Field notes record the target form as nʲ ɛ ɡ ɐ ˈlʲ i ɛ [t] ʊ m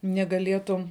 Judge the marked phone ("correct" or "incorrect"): correct